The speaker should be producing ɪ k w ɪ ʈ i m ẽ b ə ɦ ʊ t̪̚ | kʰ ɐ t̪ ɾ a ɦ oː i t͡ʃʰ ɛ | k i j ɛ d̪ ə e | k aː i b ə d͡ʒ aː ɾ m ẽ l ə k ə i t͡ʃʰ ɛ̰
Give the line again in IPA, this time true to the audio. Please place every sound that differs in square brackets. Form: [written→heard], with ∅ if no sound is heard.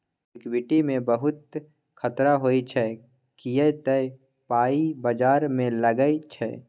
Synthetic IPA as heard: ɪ k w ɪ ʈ i m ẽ b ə ɦ ʊ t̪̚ | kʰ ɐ t̪ ɾ a ɦ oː i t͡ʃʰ ɛ | k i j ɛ [d̪→t̪] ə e | [k→p] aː i b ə d͡ʒ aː ɾ m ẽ l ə [k→ɡ] ə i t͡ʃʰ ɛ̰